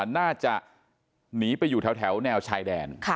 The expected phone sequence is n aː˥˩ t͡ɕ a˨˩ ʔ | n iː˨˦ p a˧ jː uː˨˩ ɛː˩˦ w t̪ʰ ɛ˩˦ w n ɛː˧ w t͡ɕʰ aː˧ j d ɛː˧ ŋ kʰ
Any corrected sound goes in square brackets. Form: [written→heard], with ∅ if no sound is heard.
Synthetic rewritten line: n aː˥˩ t͡ɕ a˨˩ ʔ | n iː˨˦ p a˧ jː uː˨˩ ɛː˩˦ w t̪ʰ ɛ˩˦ w n ɛː˧ w t͡ɕʰ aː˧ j d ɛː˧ [ŋ→n] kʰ